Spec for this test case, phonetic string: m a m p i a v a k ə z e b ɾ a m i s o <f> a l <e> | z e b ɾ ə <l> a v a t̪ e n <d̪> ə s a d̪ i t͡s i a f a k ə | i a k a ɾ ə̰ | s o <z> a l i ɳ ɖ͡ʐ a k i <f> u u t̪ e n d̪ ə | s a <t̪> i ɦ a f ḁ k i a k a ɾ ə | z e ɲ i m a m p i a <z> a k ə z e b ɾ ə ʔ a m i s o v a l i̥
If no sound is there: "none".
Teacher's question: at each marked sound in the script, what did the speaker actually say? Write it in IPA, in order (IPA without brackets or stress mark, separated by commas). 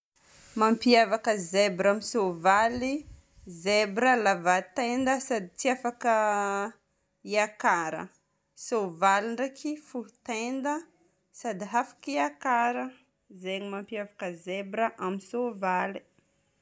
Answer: v, i, l, d̪, v, f, d̪, v